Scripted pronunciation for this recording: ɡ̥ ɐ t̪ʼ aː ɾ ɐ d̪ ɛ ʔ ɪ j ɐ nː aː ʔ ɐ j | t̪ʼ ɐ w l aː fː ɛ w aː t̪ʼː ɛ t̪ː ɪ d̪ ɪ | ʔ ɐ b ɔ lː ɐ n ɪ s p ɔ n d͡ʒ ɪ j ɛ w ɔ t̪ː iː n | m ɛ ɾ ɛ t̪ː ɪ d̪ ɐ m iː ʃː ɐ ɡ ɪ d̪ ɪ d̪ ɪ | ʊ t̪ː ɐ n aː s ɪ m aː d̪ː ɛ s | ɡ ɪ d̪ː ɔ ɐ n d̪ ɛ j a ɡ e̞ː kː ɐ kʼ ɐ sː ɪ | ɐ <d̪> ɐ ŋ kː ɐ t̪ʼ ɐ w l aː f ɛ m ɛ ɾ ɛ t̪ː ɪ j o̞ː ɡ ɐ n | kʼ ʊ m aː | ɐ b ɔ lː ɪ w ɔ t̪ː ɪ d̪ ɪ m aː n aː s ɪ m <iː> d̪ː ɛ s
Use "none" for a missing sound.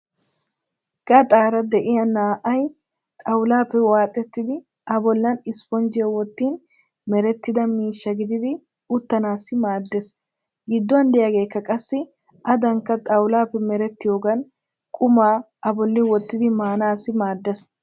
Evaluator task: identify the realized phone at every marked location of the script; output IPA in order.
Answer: d̪, aː

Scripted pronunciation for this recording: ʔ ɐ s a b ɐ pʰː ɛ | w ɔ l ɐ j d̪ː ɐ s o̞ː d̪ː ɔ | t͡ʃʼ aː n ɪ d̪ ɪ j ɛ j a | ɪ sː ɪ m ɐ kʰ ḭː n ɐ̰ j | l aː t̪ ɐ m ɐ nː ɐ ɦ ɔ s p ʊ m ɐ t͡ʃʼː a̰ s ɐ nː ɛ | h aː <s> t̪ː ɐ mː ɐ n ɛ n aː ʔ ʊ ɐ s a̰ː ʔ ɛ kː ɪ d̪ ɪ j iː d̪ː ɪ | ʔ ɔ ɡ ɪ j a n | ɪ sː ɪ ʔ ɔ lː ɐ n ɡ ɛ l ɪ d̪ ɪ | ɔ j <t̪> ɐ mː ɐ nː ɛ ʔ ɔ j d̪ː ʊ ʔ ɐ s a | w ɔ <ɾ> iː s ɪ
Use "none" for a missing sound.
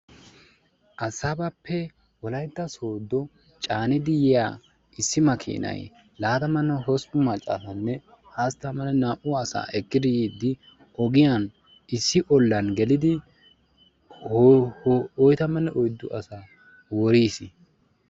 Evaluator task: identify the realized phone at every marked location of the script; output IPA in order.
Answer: s, t̪, ɾ

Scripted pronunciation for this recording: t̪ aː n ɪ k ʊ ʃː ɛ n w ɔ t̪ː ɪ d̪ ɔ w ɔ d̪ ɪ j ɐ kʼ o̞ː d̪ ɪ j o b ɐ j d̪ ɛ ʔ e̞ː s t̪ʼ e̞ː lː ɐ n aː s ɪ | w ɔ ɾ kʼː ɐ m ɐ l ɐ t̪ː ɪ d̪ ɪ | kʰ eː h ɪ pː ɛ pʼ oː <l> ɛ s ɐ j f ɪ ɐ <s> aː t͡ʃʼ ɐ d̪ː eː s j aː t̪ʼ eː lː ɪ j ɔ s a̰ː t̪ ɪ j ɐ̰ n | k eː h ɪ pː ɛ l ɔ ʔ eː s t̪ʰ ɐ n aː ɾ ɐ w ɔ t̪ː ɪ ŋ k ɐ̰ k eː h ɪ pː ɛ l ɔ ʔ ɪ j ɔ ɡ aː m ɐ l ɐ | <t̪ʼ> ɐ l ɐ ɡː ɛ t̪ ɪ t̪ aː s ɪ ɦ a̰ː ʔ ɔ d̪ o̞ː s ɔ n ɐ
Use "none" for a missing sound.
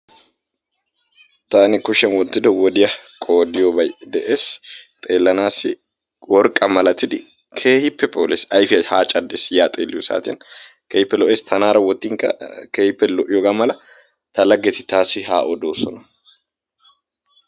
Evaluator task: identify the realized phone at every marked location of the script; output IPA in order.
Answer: l, h, t̪

